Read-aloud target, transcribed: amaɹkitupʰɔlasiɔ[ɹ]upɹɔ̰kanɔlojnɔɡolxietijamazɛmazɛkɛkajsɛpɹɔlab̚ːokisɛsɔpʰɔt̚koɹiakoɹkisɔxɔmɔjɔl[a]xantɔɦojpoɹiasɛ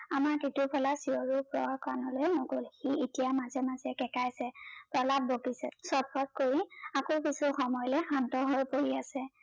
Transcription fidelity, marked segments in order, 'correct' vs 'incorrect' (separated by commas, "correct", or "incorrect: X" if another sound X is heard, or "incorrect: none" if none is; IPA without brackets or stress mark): correct, incorrect: ɛ